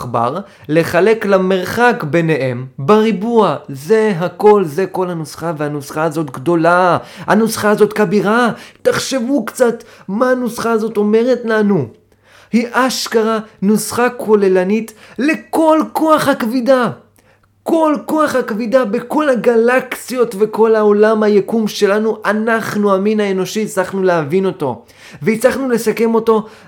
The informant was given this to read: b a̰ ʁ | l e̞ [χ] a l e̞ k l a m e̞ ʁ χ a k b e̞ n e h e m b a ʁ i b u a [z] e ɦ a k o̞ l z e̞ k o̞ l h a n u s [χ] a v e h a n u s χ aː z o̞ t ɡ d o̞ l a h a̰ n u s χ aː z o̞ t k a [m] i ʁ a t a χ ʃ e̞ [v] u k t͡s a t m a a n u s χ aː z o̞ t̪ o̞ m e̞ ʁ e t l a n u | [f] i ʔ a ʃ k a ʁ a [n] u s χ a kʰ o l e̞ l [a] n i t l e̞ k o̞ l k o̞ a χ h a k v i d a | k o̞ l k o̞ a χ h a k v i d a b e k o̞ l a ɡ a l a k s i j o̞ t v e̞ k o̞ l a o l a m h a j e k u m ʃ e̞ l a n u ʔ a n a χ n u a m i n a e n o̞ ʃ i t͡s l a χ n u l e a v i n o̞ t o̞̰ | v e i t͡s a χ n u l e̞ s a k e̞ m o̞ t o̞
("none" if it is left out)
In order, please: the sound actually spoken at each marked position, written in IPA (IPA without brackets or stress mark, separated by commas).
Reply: χ, z, χ, b, v, h, n, a